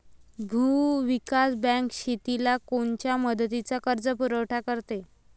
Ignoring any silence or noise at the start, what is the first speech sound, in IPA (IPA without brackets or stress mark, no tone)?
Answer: bʱ